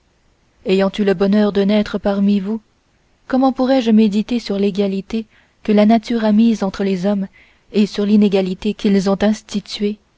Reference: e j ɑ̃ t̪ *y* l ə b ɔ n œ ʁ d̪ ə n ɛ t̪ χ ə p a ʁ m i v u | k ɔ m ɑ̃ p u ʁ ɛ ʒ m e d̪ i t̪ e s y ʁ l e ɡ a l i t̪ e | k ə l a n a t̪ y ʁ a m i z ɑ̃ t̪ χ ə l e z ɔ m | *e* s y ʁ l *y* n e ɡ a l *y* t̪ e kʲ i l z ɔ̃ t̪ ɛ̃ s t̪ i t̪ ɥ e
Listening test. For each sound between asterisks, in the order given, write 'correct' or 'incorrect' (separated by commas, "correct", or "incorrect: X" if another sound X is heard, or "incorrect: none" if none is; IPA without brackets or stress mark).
correct, correct, incorrect: i, incorrect: i